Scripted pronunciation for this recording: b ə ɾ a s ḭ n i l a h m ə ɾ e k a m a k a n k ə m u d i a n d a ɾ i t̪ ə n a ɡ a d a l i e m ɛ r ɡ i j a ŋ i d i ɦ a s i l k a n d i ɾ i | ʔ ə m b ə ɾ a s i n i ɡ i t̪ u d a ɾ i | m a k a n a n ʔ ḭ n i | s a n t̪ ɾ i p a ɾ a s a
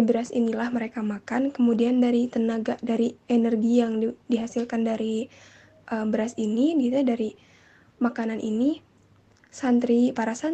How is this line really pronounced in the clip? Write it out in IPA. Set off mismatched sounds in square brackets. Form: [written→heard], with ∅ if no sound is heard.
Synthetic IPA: b ə ɾ a s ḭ n i l a h m ə ɾ e k a m a k a n k ə m u d i a n d a ɾ i t̪ ə n a ɡ a d a [l→ɾ] i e [m→n] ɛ r ɡ i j a ŋ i d i ɦ a s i l k a n d [i→a] ɾ i | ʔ ə m b ə ɾ a s i n i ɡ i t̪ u d a ɾ i | m a k a n a n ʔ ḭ n i | s a n t̪ ɾ i p a ɾ a s a